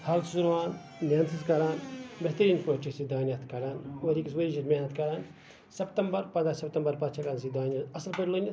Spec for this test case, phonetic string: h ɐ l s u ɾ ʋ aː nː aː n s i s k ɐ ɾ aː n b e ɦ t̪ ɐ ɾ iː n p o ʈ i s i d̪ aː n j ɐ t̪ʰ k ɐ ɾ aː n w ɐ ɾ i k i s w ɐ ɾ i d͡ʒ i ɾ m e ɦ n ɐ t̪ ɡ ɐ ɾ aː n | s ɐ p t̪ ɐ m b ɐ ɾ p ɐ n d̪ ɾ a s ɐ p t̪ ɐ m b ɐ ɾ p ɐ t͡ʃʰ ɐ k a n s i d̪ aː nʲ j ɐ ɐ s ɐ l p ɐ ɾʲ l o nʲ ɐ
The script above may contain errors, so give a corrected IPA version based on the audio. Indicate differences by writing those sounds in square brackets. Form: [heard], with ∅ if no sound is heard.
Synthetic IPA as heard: h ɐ l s u ɾ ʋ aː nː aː n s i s k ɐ ɾ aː n b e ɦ t̪ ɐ ɾ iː n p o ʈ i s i d̪ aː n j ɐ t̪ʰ k ɐ ɾ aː n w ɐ ɾ i k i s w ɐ ɾ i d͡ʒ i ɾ m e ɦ n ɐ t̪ [k] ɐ ɾ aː n | s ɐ p t̪ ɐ m b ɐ ɾ p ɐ n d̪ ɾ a s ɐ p t̪ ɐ m b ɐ ɾ p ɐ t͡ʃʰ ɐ k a n s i d̪ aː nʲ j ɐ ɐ s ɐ l p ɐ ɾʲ l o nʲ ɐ

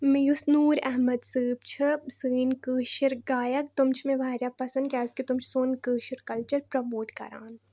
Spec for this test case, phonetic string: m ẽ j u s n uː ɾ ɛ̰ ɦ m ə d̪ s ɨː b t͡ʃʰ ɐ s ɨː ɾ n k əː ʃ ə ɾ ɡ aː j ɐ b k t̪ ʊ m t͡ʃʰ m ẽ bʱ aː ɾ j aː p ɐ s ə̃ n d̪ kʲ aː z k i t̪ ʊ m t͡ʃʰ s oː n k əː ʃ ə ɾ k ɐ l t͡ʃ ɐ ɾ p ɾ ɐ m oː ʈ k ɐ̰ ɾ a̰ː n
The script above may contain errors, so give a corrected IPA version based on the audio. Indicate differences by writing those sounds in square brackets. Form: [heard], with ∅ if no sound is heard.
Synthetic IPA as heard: m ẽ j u s n uː ɾ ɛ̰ ɦ m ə d̪ s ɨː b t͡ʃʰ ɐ s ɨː [∅] n k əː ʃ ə ɾ ɡ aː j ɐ [∅] k t̪ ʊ m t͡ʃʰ m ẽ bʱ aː ɾ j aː p ɐ s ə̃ n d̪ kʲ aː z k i t̪ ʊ m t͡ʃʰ s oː n k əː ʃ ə ɾ k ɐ l t͡ʃ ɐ ɾ p ɾ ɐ m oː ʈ k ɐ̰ ɾ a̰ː n

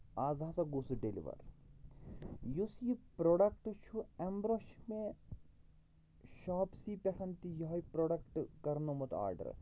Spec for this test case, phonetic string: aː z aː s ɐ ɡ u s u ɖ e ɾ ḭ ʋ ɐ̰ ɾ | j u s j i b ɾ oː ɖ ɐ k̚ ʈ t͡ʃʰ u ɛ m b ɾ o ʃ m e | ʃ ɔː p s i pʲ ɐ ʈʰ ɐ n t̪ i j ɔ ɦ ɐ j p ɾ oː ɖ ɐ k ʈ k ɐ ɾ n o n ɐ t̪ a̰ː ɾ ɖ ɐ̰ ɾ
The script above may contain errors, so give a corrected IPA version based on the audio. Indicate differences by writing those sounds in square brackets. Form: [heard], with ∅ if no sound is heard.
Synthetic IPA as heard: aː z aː s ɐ ɡ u s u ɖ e [l] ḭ ʋ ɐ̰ ɾ | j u s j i [p] ɾ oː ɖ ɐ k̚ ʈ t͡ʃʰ u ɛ m b ɾ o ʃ m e | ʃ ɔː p s i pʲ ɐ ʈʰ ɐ n t̪ i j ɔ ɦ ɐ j p ɾ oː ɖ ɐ k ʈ k ɐ ɾ n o [m] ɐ t̪ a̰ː ɾ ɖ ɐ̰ ɾ

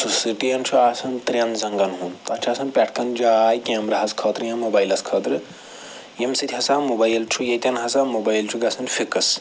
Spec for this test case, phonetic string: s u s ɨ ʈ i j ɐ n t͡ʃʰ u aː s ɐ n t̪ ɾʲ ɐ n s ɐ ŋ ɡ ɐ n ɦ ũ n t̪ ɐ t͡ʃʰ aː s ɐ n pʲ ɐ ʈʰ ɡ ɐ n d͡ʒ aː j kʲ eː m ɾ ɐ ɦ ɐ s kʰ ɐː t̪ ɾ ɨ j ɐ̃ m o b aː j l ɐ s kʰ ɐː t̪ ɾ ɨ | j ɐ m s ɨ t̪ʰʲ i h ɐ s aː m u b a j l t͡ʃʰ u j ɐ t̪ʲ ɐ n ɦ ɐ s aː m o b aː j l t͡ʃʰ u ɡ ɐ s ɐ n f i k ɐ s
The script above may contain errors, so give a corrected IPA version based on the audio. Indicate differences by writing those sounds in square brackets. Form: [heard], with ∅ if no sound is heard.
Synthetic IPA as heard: s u s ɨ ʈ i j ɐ n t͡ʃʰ u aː s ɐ n t̪ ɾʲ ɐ n [z] ɐ ŋ ɡ ɐ n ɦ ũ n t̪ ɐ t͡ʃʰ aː s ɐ n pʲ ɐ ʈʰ [k] ɐ n d͡ʒ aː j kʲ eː m ɾ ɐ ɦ ɐ s kʰ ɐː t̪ ɾ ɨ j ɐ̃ m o b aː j l ɐ s kʰ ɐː t̪ ɾ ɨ | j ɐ m s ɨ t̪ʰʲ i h ɐ s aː m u b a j l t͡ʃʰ u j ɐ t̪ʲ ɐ n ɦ ɐ s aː m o b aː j l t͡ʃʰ u ɡ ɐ s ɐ n f i k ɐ s

